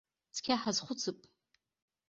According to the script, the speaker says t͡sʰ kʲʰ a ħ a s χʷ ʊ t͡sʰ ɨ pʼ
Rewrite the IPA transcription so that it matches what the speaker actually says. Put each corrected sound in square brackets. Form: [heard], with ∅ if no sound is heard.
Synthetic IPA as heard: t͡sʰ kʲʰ a ħ a [z] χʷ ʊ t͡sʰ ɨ pʼ